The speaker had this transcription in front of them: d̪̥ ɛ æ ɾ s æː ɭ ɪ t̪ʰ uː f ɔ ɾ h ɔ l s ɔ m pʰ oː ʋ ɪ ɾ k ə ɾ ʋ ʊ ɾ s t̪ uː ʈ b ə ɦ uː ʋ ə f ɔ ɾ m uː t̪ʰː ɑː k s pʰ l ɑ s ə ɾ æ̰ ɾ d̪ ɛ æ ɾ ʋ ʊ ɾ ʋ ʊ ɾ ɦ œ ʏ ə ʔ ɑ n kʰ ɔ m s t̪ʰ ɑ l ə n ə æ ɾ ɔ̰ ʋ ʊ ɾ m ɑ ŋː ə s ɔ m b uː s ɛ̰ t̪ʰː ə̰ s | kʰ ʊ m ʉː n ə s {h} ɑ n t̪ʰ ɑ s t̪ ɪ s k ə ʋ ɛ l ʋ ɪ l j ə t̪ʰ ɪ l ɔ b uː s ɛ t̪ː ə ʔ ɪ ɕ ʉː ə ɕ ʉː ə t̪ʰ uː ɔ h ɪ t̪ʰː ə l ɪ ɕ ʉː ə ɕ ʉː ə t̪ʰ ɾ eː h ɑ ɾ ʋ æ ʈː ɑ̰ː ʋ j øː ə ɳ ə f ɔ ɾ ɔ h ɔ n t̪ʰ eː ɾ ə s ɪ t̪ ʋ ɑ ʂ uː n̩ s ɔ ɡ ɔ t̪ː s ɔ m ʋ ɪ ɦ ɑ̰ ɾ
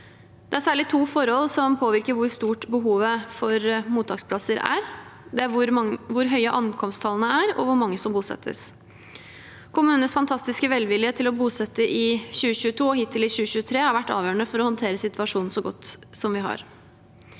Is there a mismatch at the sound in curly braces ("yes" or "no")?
yes